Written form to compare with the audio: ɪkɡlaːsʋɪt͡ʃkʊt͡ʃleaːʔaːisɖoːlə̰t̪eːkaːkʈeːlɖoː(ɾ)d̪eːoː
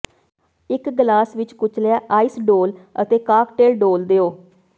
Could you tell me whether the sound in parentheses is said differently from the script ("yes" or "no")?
yes